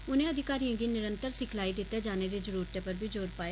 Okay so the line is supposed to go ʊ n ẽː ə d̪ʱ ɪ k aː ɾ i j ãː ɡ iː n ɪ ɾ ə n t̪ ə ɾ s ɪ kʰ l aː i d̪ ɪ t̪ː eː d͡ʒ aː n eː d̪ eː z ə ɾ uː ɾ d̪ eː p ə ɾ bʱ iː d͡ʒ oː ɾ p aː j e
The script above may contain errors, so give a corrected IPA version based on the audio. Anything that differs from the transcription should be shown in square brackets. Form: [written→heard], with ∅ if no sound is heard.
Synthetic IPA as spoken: ʊ n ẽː ə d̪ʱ ɪ k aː ɾ i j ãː ɡ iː n ɪ ɾ ə n t̪ ə ɾ s ɪ kʰ l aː i d̪ ɪ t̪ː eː d͡ʒ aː n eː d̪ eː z ə ɾ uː ɾ [d̪→t̪] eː p ə ɾ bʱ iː d͡ʒ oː ɾ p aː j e